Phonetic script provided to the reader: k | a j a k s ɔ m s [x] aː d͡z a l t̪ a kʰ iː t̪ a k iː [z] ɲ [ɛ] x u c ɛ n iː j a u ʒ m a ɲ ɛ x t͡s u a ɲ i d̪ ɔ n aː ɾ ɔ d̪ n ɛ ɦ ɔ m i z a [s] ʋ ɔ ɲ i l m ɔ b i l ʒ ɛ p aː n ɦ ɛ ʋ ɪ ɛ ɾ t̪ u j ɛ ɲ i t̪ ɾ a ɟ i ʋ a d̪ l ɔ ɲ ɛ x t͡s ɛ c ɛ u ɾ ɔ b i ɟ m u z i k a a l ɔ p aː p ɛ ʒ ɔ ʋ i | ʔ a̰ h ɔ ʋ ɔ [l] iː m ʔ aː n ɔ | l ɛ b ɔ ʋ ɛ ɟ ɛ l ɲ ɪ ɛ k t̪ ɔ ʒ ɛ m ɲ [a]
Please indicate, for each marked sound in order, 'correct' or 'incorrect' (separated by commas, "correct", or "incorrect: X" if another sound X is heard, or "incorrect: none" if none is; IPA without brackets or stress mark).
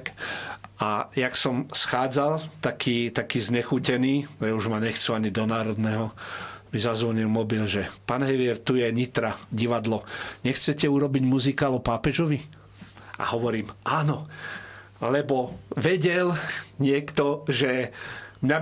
correct, correct, correct, incorrect: z, incorrect: ɾ, correct